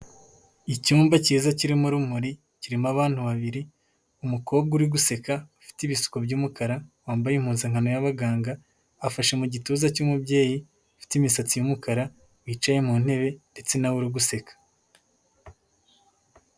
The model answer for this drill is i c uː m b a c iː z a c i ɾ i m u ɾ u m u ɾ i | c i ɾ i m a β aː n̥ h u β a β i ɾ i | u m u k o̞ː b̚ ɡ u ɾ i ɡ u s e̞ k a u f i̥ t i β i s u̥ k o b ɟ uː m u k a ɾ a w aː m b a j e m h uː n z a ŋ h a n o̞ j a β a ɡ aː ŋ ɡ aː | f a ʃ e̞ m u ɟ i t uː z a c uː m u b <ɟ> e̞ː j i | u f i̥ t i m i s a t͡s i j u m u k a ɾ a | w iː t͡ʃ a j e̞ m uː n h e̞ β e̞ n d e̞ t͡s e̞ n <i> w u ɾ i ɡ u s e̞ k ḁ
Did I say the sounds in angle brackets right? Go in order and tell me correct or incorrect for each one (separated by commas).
correct, incorrect